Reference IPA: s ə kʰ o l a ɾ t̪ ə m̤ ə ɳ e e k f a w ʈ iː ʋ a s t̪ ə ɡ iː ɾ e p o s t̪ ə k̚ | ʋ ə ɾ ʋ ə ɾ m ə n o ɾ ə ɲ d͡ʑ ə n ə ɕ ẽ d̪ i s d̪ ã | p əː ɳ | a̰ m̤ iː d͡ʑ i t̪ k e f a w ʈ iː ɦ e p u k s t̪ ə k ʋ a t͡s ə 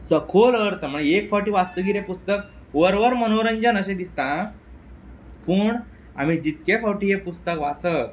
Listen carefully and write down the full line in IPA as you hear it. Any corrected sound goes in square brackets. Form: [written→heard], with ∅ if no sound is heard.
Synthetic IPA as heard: s ə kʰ o l [a→ə] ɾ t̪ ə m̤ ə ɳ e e k f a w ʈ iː ʋ a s t̪ ə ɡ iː ɾ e p [o→u] s t̪ ə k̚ | ʋ ə ɾ ʋ ə ɾ m ə n o ɾ ə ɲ d͡ʑ ə n ə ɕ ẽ d̪ i s [d̪→t̪] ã | p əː ɳ | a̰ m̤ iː d͡ʑ i t̪ k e f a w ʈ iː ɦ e p u [k→∅] s t̪ ə k ʋ a t͡s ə